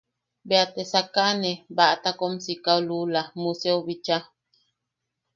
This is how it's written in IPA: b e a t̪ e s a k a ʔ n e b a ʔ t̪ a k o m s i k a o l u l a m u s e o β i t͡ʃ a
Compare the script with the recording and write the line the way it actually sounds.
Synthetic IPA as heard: b e a t̪ e s a k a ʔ n e b a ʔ t̪ a k o m s i k a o l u l a m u s e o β i t͡ʃ a